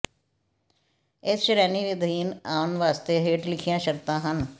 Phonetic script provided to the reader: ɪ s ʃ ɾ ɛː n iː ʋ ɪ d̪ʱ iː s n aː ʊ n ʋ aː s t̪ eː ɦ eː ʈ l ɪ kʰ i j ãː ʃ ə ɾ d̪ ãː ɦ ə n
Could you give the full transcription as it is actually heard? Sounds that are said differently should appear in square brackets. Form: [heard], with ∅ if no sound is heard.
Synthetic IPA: ɪ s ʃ ɾ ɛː n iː ʋ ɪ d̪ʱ iː [∅] n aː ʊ n ʋ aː s t̪ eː ɦ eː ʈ l ɪ kʰ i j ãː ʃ ə ɾ [t̪] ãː ɦ ə n